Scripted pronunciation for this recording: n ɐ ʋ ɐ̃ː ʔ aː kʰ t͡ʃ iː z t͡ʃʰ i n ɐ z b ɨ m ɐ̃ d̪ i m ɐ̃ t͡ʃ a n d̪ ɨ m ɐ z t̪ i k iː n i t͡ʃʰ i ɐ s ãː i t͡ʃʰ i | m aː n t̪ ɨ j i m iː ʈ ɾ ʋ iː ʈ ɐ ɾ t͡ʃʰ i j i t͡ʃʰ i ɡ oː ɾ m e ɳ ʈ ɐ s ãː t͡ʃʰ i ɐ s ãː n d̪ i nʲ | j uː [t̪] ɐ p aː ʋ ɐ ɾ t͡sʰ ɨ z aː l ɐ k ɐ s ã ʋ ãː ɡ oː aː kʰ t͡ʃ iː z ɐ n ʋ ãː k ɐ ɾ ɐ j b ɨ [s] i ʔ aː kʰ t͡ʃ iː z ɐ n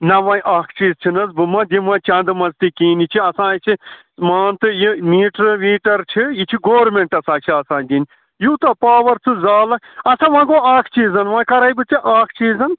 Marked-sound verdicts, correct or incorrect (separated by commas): correct, incorrect